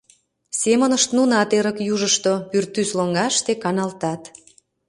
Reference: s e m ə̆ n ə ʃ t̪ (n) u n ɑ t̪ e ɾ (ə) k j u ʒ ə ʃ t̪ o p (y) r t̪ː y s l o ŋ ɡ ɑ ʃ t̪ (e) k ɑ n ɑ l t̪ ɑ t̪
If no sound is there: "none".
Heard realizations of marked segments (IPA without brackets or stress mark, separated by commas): n, ə, y, e